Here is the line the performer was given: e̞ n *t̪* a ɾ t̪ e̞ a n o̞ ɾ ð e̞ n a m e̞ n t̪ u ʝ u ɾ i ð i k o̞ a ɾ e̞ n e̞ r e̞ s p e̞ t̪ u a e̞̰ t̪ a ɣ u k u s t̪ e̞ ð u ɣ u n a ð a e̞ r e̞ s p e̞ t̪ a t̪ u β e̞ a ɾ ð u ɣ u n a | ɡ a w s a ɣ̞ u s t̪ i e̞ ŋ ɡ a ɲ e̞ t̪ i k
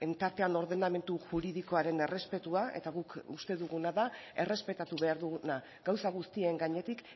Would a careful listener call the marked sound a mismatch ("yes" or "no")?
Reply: no